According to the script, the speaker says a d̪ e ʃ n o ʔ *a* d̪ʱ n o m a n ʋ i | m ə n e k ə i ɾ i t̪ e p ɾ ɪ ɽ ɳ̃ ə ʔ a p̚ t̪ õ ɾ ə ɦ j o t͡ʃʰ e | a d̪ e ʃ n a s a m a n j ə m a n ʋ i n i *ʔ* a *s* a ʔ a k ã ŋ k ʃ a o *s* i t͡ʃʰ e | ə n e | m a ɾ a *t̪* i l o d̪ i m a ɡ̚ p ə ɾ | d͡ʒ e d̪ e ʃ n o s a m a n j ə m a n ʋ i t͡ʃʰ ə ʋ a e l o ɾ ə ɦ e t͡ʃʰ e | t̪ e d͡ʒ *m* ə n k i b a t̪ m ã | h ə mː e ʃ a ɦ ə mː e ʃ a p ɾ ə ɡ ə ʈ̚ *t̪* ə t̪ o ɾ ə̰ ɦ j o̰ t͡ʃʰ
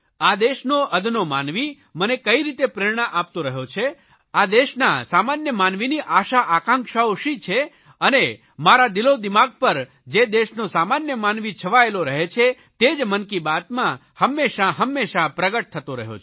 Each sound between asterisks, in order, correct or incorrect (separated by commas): incorrect, correct, incorrect, incorrect, incorrect, correct, incorrect